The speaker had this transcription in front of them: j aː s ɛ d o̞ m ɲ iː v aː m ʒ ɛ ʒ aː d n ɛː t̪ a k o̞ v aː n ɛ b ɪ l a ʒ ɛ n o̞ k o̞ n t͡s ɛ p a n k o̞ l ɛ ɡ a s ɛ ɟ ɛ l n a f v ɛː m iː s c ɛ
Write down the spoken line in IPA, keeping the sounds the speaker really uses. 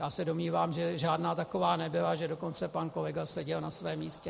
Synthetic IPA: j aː s ɛ d o̞ m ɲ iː v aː m ʒ ɛ ʒ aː d n aː t̪ a k o̞ v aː n ɛ b ɪ l a ʒ ɛ d o̞ k o̞ n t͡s ɛ p a n k o̞ l ɛ ɡ a s ɛ ɟ ɛ l n a s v ɛː m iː s c ɛ